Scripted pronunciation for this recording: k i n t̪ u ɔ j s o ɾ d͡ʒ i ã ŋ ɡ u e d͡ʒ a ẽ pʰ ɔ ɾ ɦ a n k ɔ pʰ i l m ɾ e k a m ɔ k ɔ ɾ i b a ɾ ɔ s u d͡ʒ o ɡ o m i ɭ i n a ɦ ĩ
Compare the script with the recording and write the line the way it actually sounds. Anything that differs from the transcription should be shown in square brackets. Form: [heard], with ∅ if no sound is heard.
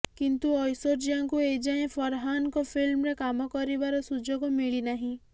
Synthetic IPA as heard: k i n t̪ u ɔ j s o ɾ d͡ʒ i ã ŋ [k] u e d͡ʒ a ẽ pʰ ɔ ɾ ɦ a n k ɔ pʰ i l m ɾ e k a m ɔ k ɔ ɾ i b a ɾ ɔ s u d͡ʒ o ɡ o m i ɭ i n a ɦ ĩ

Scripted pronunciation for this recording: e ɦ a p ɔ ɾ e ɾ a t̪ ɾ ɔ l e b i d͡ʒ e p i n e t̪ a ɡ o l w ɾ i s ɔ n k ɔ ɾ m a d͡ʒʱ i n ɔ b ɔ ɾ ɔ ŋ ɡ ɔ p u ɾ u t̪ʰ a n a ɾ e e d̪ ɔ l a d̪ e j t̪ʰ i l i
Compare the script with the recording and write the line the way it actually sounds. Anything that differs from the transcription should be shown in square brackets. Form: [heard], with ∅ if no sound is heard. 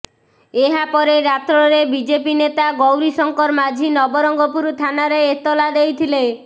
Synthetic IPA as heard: e ɦ a p ɔ ɾ e ɾ a t̪ ɾ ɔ [ɾ] e b i d͡ʒ e p i n e t̪ a ɡ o [∅] w ɾ i s ɔ [ŋ] k ɔ ɾ m a d͡ʒʱ i n ɔ b ɔ ɾ ɔ ŋ ɡ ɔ p u ɾ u t̪ʰ a n a ɾ e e [t̪] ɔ l a d̪ e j t̪ʰ i l [e]

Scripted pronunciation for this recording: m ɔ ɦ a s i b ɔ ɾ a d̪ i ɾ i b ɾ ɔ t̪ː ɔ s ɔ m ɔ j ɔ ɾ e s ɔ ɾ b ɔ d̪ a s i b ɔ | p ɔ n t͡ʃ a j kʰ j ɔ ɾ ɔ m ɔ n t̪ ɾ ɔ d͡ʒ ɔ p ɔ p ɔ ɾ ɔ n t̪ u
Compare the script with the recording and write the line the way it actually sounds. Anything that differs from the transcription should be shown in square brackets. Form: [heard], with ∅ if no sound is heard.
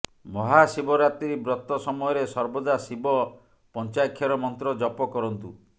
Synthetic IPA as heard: m ɔ ɦ a s i b ɔ ɾ a [t̪] i ɾ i b ɾ ɔ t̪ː ɔ s ɔ m ɔ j ɔ ɾ e s ɔ ɾ b ɔ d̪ a s i b ɔ | p ɔ n t͡ʃ a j kʰ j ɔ ɾ ɔ m ɔ n t̪ ɾ ɔ d͡ʒ ɔ p ɔ [k] ɔ ɾ ɔ n t̪ u

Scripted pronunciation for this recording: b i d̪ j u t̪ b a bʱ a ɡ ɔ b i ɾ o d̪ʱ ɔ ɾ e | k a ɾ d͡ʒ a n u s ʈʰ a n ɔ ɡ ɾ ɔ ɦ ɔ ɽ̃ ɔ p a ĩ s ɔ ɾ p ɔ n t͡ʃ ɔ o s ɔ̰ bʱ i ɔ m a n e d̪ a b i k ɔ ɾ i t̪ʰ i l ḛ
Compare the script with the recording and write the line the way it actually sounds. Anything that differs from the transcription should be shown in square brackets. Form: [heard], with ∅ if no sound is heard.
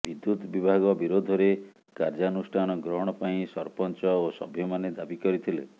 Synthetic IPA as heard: b i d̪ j u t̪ b [i] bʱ a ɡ ɔ b i ɾ o d̪ʱ ɔ ɾ e | k a ɾ d͡ʒ a n u s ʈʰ a n ɔ ɡ ɾ ɔ ɦ ɔ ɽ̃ ɔ p a ĩ s ɔ ɾ p ɔ n t͡ʃ ɔ o s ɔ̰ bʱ [j] ɔ m a n e d̪ a b i k ɔ ɾ i t̪ʰ i l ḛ

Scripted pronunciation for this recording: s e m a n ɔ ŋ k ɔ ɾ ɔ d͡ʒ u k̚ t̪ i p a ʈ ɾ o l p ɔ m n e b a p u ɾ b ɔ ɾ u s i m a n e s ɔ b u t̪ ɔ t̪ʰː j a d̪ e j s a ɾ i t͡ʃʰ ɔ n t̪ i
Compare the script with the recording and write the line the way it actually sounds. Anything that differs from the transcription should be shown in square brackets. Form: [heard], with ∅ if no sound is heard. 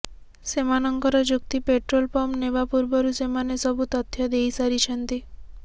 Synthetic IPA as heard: s e m a n ɔ ŋ k ɔ ɾ ɔ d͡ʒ u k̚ t̪ i p [e] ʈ ɾ o l p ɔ m n e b a p u ɾ b ɔ ɾ u s [e] m a n e s ɔ b u t̪ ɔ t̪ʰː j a d̪ e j s a ɾ i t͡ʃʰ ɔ n t̪ i

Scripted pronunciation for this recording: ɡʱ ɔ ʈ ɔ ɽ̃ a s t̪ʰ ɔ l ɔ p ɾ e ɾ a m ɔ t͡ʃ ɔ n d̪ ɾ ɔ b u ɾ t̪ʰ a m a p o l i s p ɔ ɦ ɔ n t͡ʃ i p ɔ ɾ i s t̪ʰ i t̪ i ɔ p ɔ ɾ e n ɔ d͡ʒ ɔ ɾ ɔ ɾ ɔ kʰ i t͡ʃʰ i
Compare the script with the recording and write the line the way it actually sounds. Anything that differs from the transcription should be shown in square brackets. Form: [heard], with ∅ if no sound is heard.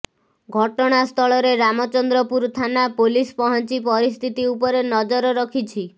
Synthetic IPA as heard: ɡʱ ɔ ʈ ɔ ɽ̃ a s t̪ʰ ɔ [ɭ] ɔ [∅] ɾ e ɾ a m ɔ t͡ʃ ɔ n d̪ ɾ ɔ [p] u ɾ t̪ʰ a [n] a p o l i s p ɔ ɦ ɔ n t͡ʃ i p ɔ ɾ i s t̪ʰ i t̪ i [u] p ɔ ɾ e n ɔ d͡ʒ ɔ ɾ ɔ ɾ ɔ kʰ i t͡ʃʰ i

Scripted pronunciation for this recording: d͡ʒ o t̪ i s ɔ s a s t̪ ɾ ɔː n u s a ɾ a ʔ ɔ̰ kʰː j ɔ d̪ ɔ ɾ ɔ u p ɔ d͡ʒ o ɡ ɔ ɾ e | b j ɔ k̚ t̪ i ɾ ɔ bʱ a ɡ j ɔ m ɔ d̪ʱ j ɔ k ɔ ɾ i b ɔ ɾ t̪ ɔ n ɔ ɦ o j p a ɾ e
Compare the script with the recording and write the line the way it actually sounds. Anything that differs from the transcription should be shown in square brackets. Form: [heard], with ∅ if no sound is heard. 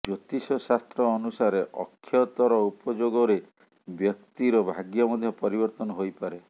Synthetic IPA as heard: d͡ʒ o t̪ i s ɔ s a s t̪ ɾ ɔː n u s a ɾ [e] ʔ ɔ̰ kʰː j ɔ [t̪] ɔ ɾ ɔ u p ɔ d͡ʒ o ɡ ɔ ɾ e | b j ɔ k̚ t̪ i ɾ ɔ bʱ a ɡ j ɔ m ɔ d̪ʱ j ɔ [p] ɔ ɾ i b ɔ ɾ t̪ ɔ n ɔ ɦ o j p a ɾ e

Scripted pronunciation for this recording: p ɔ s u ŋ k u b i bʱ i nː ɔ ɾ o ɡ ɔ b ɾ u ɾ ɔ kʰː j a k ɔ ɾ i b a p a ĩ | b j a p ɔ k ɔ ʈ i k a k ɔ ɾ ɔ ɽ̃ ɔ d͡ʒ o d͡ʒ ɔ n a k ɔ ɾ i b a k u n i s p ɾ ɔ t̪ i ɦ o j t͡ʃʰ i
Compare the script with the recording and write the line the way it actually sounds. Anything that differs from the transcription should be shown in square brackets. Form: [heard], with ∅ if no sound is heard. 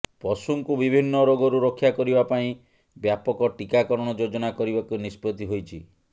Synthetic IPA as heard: p ɔ s u ŋ k u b i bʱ i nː ɔ ɾ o ɡ ɔ [∅] ɾ u ɾ ɔ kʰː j a k ɔ ɾ i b a p a ĩ | b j a p ɔ k ɔ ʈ i k a k ɔ ɾ ɔ ɽ̃ ɔ d͡ʒ o d͡ʒ ɔ n a k ɔ ɾ i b a k u n i s p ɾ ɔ t̪ i ɦ o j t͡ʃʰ i

